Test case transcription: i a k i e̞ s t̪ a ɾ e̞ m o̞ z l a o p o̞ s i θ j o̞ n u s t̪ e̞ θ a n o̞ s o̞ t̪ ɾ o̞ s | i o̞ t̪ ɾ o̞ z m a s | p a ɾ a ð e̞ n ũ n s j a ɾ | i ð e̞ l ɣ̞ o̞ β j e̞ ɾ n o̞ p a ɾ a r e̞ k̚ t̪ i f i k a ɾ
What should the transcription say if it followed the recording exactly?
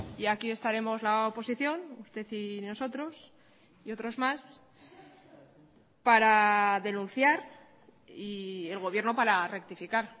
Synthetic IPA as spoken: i a k i e̞ s t̪ a ɾ e̞ m o̞ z l a o p o̞ s i θ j o̞ n u s t̪ e̞ θ i n o̞ s o̞ t̪ ɾ o̞ s | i o̞ t̪ ɾ o̞ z m a s | p a ɾ a ð e̞ n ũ n θ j a ɾ | i e̞ l ɣ̞ o̞ β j e̞ ɾ n o̞ p a ɾ a r e̞ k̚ t̪ i f i k a ɾ